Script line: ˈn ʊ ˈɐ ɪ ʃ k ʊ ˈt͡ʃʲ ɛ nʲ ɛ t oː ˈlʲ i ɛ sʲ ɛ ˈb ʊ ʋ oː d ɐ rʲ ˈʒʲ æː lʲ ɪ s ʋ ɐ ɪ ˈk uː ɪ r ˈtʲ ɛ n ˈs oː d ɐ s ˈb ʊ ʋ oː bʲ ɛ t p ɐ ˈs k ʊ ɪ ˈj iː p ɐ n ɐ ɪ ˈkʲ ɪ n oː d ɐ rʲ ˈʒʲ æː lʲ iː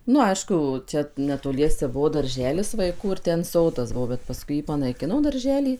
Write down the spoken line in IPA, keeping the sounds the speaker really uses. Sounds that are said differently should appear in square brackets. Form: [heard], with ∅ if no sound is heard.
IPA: ˈn ʊ ˈɐ ɪ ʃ k ʊ ˈt͡ʃʲ ɛ nʲ ɛ t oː ˈlʲ i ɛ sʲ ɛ ˈb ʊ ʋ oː d ɐ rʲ ˈʒʲ æː lʲ ɪ s ʋ ɐ ɪ ˈk uː ɪ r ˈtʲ ɛ n ˈs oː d ɐ s ˈb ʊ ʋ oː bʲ ɛ t p ɐ ˈs k ʊ ɪ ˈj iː p ɐ n ɐ ɪ ˈkʲ ɪ n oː d ɐ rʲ ˈʒʲ æː lʲ iː